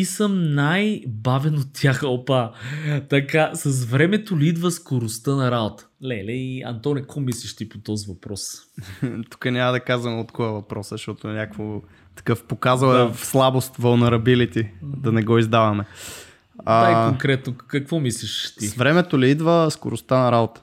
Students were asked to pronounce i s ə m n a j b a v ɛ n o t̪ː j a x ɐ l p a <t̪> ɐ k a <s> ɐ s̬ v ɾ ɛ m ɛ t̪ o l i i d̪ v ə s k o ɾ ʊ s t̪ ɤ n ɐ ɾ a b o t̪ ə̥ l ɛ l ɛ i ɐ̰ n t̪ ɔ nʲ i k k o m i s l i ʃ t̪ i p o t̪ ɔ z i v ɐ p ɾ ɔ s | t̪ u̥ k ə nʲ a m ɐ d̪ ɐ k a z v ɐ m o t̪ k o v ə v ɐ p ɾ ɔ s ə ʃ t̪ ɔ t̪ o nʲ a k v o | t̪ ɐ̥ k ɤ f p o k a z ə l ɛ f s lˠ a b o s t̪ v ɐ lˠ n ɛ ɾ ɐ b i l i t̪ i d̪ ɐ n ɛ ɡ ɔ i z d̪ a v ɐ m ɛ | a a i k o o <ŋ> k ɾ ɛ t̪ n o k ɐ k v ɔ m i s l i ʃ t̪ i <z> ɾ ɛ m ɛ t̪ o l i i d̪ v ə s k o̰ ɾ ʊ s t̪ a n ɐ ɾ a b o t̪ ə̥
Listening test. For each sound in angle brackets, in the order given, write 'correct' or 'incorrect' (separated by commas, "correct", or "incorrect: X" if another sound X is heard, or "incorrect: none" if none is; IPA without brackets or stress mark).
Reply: correct, correct, correct, incorrect: v